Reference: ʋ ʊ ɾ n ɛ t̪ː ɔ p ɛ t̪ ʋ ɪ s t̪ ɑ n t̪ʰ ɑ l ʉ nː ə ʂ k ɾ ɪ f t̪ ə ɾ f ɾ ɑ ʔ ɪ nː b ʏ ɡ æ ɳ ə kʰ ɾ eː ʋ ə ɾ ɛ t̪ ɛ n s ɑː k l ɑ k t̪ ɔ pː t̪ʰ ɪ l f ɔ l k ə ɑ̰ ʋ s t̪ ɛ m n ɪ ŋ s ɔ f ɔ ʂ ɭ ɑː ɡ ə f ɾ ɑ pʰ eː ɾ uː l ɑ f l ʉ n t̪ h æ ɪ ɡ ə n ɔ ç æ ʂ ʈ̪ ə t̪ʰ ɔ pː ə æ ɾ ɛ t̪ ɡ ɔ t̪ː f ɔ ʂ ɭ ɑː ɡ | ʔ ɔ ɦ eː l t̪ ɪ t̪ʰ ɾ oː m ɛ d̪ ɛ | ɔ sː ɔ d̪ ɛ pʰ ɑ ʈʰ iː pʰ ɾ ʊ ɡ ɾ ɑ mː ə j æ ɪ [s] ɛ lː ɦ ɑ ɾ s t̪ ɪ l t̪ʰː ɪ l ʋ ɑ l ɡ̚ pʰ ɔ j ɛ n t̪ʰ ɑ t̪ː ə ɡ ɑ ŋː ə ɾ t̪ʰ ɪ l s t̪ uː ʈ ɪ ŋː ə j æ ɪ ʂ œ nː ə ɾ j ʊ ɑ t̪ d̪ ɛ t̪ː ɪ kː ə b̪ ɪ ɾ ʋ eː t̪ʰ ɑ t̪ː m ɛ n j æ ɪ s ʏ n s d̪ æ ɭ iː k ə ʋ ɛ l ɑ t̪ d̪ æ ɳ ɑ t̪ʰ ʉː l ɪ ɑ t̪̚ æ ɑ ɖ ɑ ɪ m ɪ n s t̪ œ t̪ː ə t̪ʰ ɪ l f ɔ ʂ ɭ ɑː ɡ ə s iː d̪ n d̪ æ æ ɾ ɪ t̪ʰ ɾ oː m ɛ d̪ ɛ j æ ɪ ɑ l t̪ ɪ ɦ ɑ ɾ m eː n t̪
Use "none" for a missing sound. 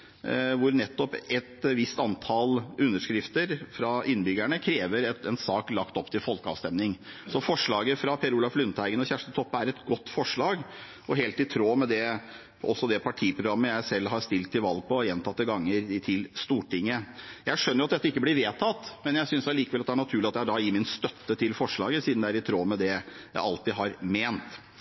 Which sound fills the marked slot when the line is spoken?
s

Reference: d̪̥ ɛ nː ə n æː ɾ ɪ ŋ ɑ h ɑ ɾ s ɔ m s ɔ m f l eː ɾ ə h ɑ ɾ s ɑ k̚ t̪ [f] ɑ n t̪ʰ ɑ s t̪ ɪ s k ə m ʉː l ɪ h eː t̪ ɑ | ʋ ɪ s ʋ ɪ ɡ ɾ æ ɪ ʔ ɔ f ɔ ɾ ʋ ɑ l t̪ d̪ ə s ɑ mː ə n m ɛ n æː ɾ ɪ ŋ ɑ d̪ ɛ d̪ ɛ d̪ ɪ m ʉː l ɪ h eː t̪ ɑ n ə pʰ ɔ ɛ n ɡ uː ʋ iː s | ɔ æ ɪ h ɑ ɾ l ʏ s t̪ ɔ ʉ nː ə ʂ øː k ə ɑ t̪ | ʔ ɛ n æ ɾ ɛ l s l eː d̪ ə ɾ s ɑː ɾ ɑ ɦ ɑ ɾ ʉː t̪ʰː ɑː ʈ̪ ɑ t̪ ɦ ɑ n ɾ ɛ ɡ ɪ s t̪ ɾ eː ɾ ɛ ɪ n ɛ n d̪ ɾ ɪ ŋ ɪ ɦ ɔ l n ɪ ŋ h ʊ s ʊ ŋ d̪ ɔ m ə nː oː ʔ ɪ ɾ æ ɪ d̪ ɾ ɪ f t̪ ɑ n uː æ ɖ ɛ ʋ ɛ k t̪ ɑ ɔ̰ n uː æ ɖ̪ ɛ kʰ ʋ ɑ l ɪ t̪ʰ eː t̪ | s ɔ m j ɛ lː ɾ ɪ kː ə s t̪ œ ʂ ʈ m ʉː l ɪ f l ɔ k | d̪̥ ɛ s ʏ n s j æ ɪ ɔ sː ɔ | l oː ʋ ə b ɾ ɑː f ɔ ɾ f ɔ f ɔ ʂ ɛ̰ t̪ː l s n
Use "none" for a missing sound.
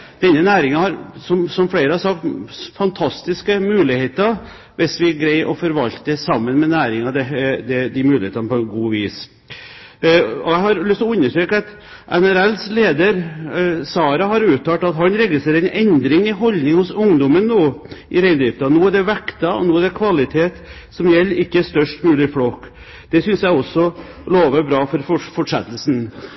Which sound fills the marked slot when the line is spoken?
f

